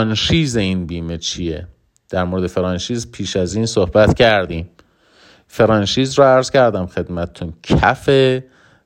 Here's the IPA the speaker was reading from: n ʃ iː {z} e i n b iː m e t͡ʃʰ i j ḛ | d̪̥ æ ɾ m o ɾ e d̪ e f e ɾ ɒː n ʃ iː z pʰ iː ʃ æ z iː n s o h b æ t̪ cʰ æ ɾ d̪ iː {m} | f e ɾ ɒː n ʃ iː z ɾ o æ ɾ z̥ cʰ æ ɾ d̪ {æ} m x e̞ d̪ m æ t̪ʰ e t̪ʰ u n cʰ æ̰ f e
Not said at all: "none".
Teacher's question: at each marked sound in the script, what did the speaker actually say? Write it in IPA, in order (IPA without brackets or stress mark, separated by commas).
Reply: z, m, æ